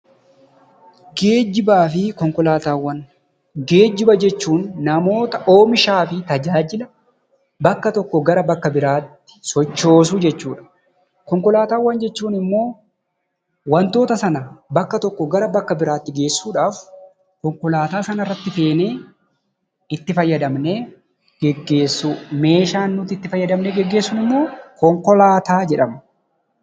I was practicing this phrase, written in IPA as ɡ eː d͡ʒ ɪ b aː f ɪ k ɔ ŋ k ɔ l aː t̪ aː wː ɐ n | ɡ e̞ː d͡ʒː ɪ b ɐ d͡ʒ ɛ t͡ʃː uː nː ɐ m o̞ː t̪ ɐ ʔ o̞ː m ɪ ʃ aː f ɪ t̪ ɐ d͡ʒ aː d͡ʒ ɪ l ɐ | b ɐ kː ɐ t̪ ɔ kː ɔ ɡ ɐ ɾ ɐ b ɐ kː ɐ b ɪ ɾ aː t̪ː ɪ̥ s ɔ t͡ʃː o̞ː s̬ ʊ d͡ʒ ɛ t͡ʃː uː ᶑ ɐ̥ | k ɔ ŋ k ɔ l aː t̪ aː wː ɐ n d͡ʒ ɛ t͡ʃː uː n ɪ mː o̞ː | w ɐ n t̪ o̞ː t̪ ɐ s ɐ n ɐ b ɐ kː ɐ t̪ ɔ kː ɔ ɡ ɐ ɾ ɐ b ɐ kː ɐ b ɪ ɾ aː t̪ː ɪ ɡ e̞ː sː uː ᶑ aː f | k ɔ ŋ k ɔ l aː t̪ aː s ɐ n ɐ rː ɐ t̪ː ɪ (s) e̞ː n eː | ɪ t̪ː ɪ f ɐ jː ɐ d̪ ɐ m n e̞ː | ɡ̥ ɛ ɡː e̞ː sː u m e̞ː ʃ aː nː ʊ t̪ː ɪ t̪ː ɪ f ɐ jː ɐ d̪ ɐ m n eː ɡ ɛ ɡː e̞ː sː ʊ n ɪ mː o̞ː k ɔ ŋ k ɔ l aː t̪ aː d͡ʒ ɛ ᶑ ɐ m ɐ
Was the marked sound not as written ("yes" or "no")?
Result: yes